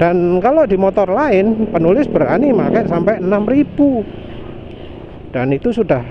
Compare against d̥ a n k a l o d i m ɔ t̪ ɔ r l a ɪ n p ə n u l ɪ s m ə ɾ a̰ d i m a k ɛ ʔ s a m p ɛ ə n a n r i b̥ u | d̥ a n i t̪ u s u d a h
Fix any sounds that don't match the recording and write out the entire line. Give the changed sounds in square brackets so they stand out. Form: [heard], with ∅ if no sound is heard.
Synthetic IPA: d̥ a n k a l o d i m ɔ t̪ ɔ r l a ɪ n p ə n u l ɪ s [b] ə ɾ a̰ [n] i m a k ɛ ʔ s a m p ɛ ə n a [m] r i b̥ u | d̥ a n i t̪ u s u d a h